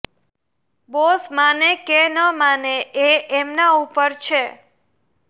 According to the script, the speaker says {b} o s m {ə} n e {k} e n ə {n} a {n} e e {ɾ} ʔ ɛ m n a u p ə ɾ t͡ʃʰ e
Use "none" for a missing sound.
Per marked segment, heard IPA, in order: b, a, k, m, n, none

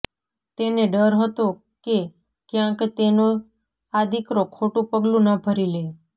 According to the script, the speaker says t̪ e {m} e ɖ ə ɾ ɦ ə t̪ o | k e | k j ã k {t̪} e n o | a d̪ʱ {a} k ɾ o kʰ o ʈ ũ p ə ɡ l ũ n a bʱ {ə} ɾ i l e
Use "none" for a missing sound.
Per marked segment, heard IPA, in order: n, t̪, i, ə

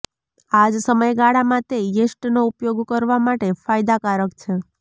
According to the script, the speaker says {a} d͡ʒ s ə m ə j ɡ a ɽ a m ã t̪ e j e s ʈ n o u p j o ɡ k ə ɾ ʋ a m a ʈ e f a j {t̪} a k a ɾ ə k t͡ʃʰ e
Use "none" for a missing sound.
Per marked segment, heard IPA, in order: a, d̪

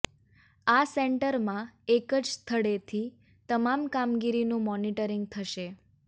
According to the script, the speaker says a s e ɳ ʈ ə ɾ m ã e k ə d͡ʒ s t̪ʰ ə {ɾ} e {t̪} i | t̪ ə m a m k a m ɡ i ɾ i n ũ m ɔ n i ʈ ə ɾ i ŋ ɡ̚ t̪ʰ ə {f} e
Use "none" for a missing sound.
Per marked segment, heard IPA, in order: ɽ, t̪ʰ, ʃ

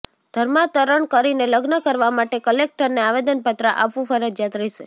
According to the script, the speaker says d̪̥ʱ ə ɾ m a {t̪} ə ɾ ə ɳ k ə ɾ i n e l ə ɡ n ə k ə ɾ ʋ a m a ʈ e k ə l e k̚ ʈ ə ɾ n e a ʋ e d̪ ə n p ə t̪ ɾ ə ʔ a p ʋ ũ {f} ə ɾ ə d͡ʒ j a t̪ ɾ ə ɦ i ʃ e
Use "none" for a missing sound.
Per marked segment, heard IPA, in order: t̪, f

